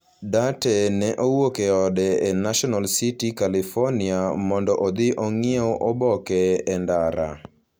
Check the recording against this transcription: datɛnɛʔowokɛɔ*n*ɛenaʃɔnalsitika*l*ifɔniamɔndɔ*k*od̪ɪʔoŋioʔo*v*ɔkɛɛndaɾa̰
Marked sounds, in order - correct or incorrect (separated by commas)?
incorrect, correct, incorrect, incorrect